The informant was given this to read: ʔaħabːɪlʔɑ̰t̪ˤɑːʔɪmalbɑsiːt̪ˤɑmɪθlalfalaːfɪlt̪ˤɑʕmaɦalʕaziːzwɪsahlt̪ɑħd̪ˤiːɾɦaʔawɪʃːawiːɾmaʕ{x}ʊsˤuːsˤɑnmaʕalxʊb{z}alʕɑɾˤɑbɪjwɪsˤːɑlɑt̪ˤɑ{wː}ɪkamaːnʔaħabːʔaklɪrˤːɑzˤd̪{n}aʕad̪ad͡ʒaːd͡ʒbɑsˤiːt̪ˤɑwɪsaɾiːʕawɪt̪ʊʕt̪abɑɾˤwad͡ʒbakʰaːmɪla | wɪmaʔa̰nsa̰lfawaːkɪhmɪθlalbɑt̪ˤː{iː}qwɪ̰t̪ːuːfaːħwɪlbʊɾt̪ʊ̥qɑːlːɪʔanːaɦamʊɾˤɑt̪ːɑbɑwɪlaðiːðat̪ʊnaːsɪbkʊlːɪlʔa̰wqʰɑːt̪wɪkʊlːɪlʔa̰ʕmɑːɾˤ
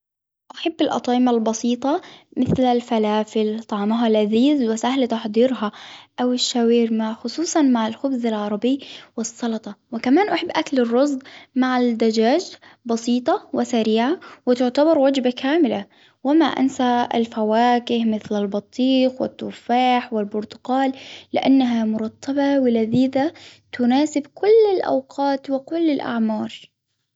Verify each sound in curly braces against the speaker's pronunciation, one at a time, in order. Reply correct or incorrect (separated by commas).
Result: correct, correct, incorrect, incorrect, correct